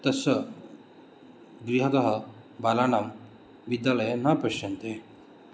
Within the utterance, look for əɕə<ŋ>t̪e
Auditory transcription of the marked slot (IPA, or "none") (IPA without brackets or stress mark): n